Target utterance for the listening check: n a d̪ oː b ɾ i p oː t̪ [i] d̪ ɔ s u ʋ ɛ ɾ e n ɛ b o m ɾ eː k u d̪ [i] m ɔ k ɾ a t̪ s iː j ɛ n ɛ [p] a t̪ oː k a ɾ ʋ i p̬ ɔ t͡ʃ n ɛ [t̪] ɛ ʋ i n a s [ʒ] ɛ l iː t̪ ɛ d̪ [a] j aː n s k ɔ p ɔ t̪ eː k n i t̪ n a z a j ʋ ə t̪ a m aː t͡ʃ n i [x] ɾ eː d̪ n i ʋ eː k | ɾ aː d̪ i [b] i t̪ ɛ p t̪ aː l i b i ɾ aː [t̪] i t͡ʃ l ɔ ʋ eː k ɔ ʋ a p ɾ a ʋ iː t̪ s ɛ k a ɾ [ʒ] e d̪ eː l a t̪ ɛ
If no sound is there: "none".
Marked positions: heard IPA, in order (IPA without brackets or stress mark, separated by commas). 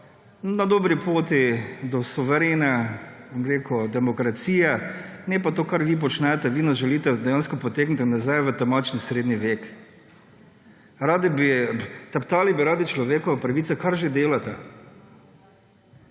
i, ɛ, p, t̪, ʒ, ɛ, s, b, d̪, ʒ